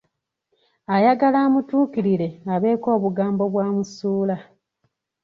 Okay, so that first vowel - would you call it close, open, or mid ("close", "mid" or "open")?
open